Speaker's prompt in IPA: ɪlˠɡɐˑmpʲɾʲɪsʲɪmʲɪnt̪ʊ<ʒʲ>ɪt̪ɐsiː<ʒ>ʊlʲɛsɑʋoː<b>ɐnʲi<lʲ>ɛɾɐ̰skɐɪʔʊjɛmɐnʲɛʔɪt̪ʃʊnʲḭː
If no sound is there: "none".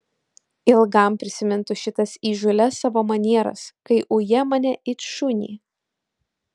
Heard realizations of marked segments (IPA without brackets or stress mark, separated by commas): ʃʲ, ʒ, m, none